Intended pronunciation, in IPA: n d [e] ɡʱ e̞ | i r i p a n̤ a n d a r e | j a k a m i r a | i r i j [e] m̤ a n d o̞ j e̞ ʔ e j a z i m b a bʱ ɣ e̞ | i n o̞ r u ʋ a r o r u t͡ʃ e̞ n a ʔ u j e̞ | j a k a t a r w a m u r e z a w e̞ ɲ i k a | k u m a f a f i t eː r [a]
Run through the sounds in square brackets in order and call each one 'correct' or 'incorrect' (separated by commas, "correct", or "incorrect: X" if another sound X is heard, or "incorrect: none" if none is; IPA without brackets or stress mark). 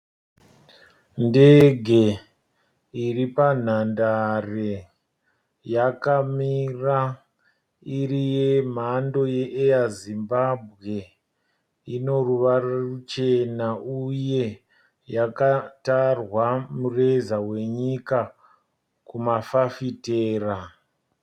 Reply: correct, correct, correct